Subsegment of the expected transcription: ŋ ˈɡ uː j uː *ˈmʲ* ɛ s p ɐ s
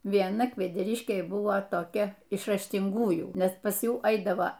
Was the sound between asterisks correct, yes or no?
no